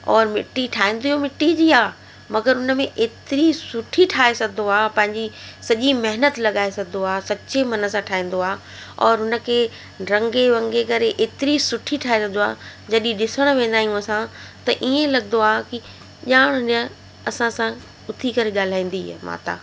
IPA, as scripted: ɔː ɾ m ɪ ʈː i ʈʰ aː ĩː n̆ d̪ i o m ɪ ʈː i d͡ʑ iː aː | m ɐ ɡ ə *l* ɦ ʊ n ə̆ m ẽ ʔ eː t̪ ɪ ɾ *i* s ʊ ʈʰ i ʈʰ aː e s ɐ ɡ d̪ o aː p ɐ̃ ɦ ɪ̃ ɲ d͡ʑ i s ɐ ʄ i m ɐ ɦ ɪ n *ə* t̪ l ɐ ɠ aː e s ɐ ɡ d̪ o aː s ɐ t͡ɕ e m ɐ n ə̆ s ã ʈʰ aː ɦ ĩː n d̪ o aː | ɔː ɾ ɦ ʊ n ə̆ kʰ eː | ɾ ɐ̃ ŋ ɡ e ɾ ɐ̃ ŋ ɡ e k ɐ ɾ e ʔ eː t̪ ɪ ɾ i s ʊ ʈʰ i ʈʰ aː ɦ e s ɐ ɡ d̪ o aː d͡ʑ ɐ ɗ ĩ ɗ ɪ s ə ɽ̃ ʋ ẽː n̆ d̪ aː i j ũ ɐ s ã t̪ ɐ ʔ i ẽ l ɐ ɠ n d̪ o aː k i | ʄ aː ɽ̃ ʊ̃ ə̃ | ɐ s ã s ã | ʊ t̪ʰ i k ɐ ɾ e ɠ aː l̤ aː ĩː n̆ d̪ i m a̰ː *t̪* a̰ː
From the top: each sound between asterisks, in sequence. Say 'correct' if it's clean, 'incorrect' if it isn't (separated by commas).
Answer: incorrect, correct, correct, correct